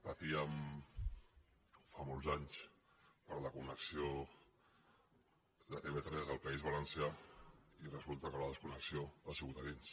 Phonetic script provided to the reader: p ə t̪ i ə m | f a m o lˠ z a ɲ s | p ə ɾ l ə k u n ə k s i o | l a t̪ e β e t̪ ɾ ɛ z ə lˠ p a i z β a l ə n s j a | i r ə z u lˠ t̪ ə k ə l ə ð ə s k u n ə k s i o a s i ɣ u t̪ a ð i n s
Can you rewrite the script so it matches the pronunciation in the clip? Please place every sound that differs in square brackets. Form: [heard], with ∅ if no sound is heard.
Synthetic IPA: p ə t̪ i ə m | f a m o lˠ z a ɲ s | p ə ɾ l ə k u n ə k s i o | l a t̪ e β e t̪ ɾ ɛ z ə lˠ p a i z β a l ə n s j a | i r ə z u lˠ t̪ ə k ə l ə ð ə s k u n ə k s i o a s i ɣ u t̪ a ð i n s